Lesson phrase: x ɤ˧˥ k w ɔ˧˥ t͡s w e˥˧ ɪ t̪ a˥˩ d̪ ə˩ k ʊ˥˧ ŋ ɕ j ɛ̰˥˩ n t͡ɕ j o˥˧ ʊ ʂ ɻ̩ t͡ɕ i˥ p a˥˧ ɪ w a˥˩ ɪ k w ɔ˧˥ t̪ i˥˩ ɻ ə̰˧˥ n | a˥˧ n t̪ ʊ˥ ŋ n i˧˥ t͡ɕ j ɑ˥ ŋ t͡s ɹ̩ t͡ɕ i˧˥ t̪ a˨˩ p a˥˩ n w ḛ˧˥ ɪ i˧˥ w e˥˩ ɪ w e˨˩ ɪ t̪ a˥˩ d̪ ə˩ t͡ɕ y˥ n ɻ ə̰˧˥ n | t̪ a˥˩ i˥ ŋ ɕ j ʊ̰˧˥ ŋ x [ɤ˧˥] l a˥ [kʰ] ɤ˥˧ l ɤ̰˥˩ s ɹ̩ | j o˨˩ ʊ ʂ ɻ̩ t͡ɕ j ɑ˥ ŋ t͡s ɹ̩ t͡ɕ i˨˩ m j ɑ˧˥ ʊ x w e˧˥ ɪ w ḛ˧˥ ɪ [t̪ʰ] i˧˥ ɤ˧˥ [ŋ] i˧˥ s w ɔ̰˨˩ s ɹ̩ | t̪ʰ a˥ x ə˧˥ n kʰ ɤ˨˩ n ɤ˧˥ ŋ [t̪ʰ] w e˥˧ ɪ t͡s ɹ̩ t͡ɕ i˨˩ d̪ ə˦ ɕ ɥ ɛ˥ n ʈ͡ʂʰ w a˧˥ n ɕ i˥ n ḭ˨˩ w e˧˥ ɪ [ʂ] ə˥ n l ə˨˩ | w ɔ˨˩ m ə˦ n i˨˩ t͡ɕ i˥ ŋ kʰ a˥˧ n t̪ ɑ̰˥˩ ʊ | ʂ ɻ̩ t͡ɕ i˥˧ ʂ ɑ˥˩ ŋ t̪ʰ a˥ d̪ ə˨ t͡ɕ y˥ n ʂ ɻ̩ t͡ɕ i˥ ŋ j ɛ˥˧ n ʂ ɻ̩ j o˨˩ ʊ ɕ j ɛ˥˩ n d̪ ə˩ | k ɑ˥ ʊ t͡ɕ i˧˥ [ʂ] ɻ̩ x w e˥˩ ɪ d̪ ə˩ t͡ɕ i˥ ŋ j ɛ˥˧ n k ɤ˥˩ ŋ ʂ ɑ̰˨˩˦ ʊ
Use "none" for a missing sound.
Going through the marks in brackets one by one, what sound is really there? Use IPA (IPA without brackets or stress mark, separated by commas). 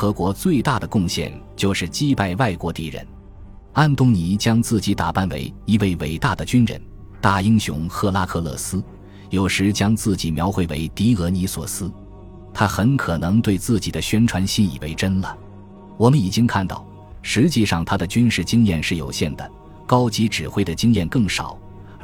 ɤ˥˧˩, kʰ, t̪, n, t̪, ʈ͡ʂ, ʈ͡ʂ